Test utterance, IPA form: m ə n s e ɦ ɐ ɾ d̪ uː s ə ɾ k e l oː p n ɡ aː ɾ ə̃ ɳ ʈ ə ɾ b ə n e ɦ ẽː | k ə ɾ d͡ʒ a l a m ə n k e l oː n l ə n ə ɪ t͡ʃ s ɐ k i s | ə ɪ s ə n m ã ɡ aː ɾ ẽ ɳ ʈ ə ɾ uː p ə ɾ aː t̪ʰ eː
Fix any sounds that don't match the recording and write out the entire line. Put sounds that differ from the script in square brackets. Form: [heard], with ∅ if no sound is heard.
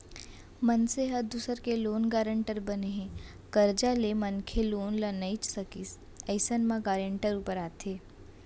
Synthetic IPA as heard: m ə n s e ɦ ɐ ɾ d̪ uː s ə ɾ k e l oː [∅] n ɡ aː ɾ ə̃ ɳ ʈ ə ɾ b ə n e ɦ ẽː | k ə ɾ d͡ʒ a l [e] m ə n [kʰ] e l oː n l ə n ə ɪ t͡ʃ s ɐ k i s | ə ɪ s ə n m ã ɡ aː ɾ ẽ ɳ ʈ ə ɾ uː p ə ɾ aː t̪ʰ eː

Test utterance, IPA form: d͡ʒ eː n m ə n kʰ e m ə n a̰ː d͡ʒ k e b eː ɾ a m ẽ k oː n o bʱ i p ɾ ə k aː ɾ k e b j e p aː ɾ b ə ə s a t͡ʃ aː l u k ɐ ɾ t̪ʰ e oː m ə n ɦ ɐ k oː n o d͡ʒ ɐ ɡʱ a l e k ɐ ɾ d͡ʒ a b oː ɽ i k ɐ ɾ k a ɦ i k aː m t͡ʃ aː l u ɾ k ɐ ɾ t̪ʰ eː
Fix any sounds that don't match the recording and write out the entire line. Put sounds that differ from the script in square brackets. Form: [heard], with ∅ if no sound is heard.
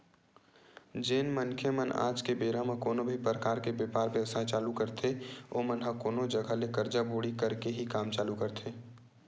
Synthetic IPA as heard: d͡ʒ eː n m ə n kʰ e m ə n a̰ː d͡ʒ k e b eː ɾ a m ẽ k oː n o bʱ i p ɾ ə k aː ɾ k e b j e p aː ɾ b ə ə s a t͡ʃ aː l u k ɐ ɾ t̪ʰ e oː m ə n ɦ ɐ k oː n o d͡ʒ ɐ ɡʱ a l e k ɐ ɾ d͡ʒ a b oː ɽ i k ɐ ɾ k [e] ɦ i k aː m t͡ʃ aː l u [∅] k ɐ ɾ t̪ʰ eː

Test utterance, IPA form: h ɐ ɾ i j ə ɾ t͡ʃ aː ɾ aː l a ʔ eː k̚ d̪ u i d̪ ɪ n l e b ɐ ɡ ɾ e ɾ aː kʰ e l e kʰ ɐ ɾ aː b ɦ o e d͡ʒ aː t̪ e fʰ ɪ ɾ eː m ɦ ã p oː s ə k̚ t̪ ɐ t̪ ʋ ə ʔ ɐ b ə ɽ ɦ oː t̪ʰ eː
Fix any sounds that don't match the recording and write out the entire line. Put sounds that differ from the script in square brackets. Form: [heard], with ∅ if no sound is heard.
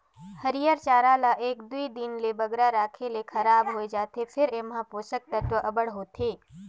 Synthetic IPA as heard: h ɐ ɾ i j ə ɾ t͡ʃ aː ɾ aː l a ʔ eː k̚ d̪ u i d̪ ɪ n l e b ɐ ɡ ɾ [a] ɾ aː kʰ e l e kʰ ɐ ɾ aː b ɦ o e d͡ʒ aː t̪ e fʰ ɪ ɾ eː m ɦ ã p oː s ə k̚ t̪ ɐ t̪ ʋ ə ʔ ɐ b ə ɽ ɦ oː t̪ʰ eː

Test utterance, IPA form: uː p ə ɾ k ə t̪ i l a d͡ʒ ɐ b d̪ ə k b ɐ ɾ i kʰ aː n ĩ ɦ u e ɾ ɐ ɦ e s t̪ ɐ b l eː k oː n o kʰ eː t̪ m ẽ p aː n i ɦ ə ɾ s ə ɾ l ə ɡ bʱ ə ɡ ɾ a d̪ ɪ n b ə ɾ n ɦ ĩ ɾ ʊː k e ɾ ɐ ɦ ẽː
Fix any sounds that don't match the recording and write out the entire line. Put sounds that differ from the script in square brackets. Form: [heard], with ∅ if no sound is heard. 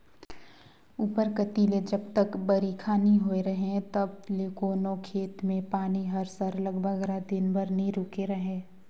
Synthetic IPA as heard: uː p ə ɾ k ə t̪ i l [e] d͡ʒ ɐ b [t̪] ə k b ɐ ɾ i kʰ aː n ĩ ɦ [o] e ɾ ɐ ɦ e [∅] t̪ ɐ b l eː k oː n o kʰ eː t̪ m ẽ p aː n i ɦ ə ɾ s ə ɾ l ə ɡ bʱ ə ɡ ɾ a d̪ ɪ n b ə ɾ n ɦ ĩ ɾ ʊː k e ɾ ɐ ɦ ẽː

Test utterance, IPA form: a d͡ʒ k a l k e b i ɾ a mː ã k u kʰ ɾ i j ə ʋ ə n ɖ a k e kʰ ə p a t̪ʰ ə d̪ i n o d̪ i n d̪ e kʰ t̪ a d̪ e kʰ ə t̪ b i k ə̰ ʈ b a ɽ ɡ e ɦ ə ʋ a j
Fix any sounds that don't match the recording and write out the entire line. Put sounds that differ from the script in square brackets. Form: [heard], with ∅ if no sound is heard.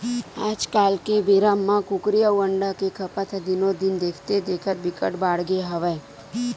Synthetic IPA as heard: a d͡ʒ k a l k e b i ɾ a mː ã k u [k] ɾ i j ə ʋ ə [ɳ] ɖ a k e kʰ ə p a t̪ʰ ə d̪ i n o d̪ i n d̪ e kʰ t̪ [e] d̪ e kʰ ə t̪ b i k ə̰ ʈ b a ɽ ɡ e ɦ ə ʋ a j

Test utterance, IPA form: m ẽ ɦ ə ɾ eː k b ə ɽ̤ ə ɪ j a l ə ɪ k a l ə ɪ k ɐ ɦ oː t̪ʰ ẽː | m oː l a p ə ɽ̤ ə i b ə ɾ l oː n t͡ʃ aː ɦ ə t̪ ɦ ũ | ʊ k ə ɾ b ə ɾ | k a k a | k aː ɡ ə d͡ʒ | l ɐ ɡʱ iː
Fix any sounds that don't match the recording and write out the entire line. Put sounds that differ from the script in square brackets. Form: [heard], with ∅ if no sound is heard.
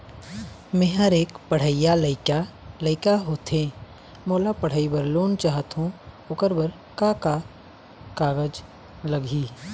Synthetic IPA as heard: m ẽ ɦ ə ɾ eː k [p] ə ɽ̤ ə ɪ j a l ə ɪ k a l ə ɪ k [a] ɦ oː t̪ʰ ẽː | m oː l a p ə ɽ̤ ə i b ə ɾ l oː n t͡ʃ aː ɦ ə t̪ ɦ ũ | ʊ k ə ɾ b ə ɾ | k a k a | k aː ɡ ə d͡ʒ | l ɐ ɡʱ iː

